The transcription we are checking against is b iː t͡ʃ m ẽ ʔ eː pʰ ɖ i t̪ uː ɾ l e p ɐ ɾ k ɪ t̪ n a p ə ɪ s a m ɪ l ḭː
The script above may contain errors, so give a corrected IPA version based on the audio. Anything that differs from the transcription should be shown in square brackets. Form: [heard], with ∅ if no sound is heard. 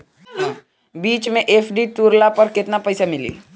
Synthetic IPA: b iː t͡ʃ m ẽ ʔ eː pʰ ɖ i t̪ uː ɾ l [a] p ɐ ɾ k ɪ t̪ n a p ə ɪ s a m ɪ l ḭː